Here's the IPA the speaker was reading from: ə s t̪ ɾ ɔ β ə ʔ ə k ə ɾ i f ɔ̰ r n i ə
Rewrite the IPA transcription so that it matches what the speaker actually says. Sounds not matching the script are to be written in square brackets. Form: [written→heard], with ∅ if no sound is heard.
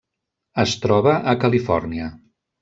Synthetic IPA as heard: ə s t̪ ɾ ɔ β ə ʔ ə k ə [ɾ→l] i f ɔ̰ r n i ə